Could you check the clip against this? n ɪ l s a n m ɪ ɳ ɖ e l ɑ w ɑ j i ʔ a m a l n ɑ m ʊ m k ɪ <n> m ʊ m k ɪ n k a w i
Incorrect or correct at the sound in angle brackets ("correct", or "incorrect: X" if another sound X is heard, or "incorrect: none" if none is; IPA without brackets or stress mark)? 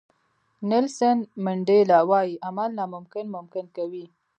correct